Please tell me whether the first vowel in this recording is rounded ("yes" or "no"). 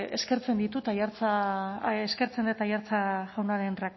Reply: no